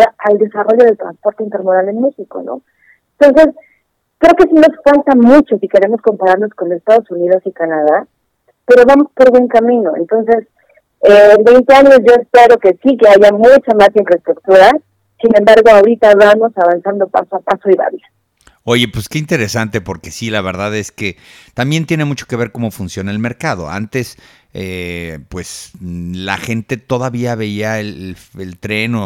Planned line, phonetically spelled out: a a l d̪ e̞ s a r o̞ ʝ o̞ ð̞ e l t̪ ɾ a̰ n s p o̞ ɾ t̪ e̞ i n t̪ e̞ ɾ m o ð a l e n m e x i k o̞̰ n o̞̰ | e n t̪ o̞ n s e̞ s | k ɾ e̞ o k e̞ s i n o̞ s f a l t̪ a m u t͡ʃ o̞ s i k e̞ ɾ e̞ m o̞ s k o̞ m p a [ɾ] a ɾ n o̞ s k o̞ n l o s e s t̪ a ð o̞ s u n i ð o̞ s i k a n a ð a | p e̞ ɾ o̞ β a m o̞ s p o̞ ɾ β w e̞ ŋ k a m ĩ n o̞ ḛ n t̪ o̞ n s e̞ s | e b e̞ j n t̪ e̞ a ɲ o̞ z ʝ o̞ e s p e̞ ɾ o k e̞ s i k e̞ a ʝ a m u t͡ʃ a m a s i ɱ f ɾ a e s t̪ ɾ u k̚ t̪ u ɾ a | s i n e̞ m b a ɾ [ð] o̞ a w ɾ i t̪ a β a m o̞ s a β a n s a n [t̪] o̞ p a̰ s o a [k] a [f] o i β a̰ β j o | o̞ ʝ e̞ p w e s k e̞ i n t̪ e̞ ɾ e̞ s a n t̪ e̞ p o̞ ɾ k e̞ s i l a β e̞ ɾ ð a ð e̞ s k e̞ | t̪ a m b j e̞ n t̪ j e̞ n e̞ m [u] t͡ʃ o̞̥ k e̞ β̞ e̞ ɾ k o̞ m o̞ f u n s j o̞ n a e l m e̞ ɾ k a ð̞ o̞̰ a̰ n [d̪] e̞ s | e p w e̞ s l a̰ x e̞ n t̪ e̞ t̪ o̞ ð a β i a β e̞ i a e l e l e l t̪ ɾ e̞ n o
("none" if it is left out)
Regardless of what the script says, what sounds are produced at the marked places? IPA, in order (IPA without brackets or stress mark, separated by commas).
ɾ, ɣ, d̪, p, s, u, t̪